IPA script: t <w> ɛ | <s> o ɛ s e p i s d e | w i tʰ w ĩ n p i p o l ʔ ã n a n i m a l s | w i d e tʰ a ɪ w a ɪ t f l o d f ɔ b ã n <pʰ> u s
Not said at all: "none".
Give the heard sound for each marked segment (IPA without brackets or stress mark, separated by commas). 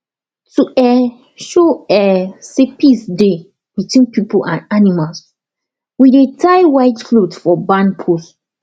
u, ʃ, pʰ